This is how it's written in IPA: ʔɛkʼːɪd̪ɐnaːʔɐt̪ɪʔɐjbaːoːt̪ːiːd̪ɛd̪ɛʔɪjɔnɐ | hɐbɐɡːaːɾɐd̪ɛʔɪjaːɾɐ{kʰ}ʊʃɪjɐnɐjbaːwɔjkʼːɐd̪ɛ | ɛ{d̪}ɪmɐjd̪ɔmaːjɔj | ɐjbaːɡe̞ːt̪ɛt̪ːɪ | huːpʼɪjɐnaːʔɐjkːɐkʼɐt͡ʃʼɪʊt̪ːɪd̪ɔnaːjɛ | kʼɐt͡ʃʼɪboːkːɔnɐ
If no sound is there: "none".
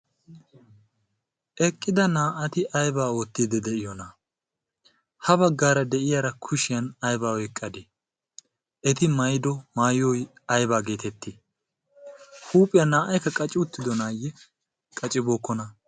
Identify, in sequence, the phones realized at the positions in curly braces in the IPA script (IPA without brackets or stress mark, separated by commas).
kʰ, t̪